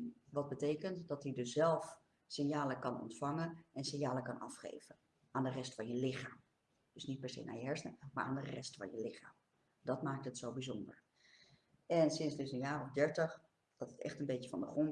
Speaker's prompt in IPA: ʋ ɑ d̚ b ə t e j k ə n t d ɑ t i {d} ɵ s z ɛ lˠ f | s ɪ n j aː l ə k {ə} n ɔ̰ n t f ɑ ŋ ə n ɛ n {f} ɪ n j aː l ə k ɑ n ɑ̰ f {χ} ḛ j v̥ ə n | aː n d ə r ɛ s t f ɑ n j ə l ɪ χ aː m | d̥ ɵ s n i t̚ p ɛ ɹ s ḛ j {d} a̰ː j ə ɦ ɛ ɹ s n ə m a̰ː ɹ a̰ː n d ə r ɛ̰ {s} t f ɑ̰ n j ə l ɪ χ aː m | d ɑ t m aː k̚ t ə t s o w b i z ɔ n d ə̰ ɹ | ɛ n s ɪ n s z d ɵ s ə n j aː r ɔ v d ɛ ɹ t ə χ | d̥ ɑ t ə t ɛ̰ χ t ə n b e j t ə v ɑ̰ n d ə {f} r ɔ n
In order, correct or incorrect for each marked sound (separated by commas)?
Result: correct, incorrect, incorrect, correct, incorrect, correct, incorrect